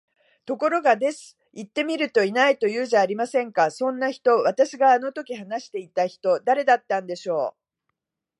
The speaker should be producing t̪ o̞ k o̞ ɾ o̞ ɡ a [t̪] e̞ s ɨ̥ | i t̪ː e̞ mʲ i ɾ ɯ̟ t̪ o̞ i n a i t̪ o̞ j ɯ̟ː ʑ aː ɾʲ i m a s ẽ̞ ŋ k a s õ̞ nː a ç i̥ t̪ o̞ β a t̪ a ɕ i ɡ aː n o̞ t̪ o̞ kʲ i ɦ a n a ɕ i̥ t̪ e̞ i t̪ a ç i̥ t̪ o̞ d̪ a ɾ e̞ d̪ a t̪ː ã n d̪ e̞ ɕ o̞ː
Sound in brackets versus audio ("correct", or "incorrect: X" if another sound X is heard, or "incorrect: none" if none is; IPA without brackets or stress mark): incorrect: d̪